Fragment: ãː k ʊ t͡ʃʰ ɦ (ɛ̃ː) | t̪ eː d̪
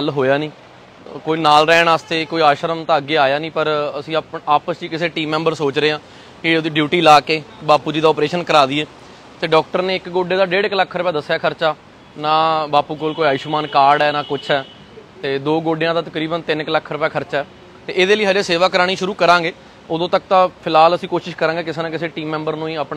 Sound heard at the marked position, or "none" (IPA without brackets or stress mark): ɛː